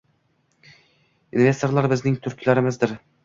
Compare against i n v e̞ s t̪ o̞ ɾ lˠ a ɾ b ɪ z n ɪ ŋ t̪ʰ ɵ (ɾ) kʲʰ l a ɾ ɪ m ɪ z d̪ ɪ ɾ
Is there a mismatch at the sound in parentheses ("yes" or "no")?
no